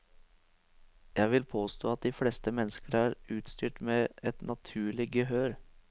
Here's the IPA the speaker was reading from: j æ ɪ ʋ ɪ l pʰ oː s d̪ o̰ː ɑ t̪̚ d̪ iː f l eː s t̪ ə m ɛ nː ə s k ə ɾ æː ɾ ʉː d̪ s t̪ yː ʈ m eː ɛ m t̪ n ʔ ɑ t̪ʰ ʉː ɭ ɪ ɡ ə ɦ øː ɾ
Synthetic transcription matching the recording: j æ ɪ ʋ ɪ l pʰ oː s t̪ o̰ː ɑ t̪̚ d̪ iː f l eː s t̪ ə m ɛ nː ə s k ə ɾ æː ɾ ʉː t̪ s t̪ yː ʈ m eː ɛ t̪ n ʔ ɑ t̪ʰ ʉː ɭ ɪ ɡ ə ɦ øː ɾ